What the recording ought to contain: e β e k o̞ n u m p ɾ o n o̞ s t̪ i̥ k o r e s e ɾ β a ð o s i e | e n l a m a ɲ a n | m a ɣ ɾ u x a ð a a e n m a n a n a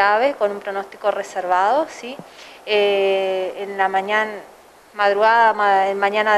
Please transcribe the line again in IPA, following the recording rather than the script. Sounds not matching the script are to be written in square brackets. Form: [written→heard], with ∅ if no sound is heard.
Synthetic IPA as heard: [e→a] β e k o̞ n u m p ɾ o n o̞ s t̪ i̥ k o r e s e ɾ β a ð o s i e | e n l a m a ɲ a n | m a [ɣ→ð] ɾ u [x→ɣ] a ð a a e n m a [n→ɲ] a n a

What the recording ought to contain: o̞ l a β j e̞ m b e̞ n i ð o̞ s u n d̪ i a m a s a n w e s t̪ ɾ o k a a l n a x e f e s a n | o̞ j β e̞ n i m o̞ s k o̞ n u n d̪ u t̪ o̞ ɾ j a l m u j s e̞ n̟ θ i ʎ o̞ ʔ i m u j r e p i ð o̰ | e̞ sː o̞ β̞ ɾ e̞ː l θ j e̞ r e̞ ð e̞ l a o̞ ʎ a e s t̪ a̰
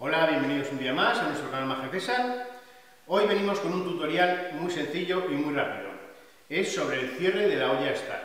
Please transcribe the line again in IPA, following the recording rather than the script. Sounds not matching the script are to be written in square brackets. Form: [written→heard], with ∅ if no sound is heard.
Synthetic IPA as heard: o̞ l a β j e̞ m b e̞ n i ð o̞ s u n d̪ i a m a s a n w e s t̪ ɾ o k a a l [n→m] a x e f e s a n | o̞ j β e̞ n i m o̞ s k o̞ n u n [d̪→t̪] u t̪ o̞ ɾ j a l m u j s e̞ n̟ θ i ʎ o̞ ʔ i m u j r [e→a] p i ð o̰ | e̞ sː o̞ β̞ ɾ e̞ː l θ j e̞ r e̞ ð e̞ l a o̞ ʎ a e s t̪ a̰

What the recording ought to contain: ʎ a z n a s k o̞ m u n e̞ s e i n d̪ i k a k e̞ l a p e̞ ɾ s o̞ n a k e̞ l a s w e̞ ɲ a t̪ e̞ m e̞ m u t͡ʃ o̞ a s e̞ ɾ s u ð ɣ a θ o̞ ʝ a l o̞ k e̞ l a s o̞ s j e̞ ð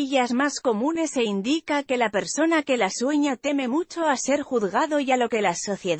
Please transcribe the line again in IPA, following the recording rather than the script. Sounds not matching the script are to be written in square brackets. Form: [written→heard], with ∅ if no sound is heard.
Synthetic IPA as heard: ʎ a z [n→m] a s k o̞ m u n e̞ s e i n d̪ i k a k e̞ l a p e̞ ɾ s o̞ n a k e̞ l a s w e̞ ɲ a t̪ e̞ m e̞ m u t͡ʃ o̞ a s e̞ ɾ [s→x] u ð ɣ a [θ→ð] o̞ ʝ a l o̞ k e̞ l a s o̞ [s→θ] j e̞ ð

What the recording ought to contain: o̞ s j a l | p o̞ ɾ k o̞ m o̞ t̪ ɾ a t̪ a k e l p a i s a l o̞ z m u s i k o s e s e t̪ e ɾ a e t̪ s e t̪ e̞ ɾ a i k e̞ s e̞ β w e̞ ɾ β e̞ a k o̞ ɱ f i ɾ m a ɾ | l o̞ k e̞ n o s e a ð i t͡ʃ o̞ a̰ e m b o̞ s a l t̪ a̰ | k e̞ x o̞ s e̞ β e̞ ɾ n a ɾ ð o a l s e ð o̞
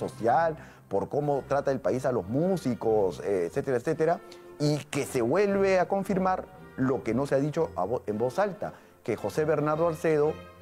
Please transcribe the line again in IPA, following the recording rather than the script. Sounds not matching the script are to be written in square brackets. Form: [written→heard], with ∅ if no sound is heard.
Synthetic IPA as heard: o̞ s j a l | p o̞ ɾ k o̞ m o̞ t̪ ɾ a t̪ a [k→∅] e l p a i s a l o̞ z m u s i k o s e s e t̪ e ɾ a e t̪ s e t̪ e̞ ɾ a i k e̞ s e̞ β w e̞ [ɾ→l] β e̞ a k o̞ ɱ f i ɾ m a ɾ | l o̞ k e̞ n o s e a ð i t͡ʃ o̞ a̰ e m b o̞ s a l t̪ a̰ | k e̞ x o̞ s e̞ β e̞ ɾ n a ɾ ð o a l s e ð o̞

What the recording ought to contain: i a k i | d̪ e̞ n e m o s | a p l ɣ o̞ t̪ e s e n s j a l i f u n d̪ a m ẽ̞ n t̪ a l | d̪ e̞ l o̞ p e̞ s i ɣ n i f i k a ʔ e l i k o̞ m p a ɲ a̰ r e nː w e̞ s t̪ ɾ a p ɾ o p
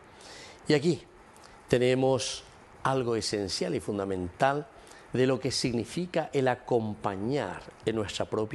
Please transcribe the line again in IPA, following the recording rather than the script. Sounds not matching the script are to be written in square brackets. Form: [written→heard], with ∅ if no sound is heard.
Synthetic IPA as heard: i a k i | [d̪→t̪] e̞ n e m o s | a [p→∅] l ɣ o̞ [t̪→∅] e s e n s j a l i f u n d̪ a m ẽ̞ n t̪ a l | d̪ e̞ l o̞ [p→k] e̞ s i ɣ n i f i k a ʔ e l [i→a] k o̞ m p a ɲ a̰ [r→ɾ] e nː w e̞ s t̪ ɾ a p ɾ o p

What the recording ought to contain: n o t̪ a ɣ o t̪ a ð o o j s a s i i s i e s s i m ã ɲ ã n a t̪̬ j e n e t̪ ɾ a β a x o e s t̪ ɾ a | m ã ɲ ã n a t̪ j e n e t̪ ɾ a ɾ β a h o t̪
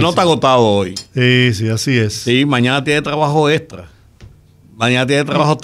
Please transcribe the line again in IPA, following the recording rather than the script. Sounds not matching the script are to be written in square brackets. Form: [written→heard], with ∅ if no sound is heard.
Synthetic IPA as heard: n o t̪ a ɣ o t̪ a ð o o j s [a→i] s i [i→a] s i e s s i m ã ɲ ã n a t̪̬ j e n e t̪ ɾ a β a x o e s t̪ ɾ a | m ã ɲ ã n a t̪ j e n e t̪ ɾ a [ɾ→∅] β a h o t̪

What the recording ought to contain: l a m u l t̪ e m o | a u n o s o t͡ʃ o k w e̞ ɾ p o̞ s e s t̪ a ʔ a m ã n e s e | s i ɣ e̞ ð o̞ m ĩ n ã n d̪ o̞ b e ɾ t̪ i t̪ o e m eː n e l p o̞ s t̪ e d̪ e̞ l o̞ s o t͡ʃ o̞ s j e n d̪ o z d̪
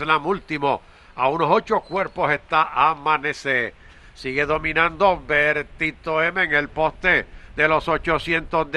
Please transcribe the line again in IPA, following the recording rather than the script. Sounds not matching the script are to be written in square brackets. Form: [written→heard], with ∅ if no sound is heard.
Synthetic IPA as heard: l a m u l t̪ [e→i] m o | a u n o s o t͡ʃ o k w e̞ ɾ p o̞ s e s t̪ a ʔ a m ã n e s e | s i ɣ e̞ ð o̞ m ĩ n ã n d̪ o̞ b e ɾ t̪ i t̪ o e m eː [n→ŋ] e l p o̞ s t̪ e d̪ e̞ l o̞ s o t͡ʃ o̞ s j e n [d̪→t̪] o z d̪

